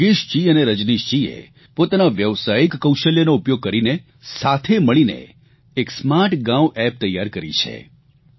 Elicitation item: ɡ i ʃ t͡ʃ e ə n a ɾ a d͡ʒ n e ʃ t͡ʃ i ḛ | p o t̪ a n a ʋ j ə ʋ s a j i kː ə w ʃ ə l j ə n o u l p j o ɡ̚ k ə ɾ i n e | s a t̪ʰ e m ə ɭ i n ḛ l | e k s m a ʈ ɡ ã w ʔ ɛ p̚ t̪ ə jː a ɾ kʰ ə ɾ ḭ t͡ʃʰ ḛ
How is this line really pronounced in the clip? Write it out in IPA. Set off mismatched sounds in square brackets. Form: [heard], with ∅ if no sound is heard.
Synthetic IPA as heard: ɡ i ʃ t͡ʃ [i] ə n [e] ɾ [ə] d͡ʒ n [i] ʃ t͡ʃ i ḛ | p o t̪ a n a ʋ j ə ʋ s a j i kː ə w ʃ ə l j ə n o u [∅] p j o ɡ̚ k ə ɾ i n e | s a t̪ʰ e m ə ɭ i n ḛ [∅] | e k s m a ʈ ɡ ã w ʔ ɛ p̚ t̪ ə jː a ɾ [k] ə ɾ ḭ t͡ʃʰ ḛ

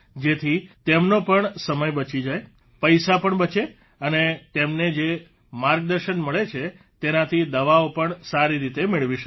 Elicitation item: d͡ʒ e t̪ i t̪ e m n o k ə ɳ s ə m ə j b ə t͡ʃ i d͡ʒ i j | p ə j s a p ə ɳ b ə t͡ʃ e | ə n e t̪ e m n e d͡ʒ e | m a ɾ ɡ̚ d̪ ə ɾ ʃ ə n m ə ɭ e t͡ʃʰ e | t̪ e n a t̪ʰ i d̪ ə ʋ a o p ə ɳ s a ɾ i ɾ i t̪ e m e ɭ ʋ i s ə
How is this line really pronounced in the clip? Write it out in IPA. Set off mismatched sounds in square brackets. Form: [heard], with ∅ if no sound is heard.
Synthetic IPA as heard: d͡ʒ e [t̪ʰ] i t̪ e m n o [p] ə ɳ s ə m ə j b ə t͡ʃ i d͡ʒ [a] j | p ə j s a p ə ɳ b ə t͡ʃ e | ə n e t̪ e m n e d͡ʒ e | m a ɾ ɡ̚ d̪ ə ɾ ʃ ə n m ə ɭ e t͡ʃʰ e | t̪ e n a t̪ʰ i d̪ ə ʋ a o p ə ɳ s a ɾ i ɾ i t̪ e m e ɭ ʋ i [ʃ] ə

